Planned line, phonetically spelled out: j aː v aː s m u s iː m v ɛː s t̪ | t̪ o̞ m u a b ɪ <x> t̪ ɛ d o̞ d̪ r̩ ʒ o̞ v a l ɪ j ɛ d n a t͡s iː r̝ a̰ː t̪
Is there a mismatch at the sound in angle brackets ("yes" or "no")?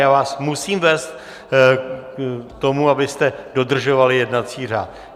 yes